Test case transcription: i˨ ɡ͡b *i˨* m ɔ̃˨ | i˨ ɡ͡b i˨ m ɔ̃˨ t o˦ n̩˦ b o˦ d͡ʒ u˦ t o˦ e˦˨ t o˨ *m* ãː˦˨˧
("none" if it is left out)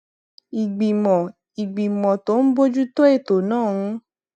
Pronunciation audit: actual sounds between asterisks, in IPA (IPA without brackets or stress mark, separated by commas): i˨, n